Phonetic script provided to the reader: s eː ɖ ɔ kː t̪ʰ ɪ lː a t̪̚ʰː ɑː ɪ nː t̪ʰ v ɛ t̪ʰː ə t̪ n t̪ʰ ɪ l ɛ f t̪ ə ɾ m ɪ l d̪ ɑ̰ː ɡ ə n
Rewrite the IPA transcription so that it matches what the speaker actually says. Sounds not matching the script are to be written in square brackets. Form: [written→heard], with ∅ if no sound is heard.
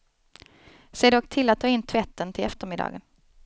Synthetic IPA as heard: s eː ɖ ɔ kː t̪ʰ ɪ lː a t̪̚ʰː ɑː ɪ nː t̪ʰ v ɛ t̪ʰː ə [t̪→∅] n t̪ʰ ɪ l ɛ f t̪ ə ɾ m ɪ [l→∅] d̪ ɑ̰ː ɡ ə n